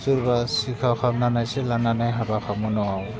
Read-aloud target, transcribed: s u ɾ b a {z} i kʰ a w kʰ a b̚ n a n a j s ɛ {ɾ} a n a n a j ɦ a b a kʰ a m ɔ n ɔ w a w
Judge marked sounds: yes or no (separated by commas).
no, no